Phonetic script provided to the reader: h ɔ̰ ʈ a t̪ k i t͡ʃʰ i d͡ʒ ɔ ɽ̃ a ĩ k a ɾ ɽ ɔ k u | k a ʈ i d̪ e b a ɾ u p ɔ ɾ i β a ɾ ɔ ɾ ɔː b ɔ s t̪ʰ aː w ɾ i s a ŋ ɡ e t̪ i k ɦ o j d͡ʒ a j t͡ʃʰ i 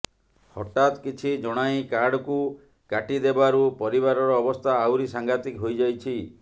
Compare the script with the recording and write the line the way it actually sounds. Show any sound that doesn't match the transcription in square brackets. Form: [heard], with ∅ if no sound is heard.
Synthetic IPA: h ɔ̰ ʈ a t̪ k i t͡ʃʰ i d͡ʒ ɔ ɽ̃ a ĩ k a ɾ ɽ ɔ k u | k a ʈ i d̪ e b a ɾ u p ɔ ɾ i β a ɾ ɔ ɾ ɔː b ɔ s t̪ʰ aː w ɾ i s a ŋ ɡ [a] t̪ i k ɦ o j d͡ʒ a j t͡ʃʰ i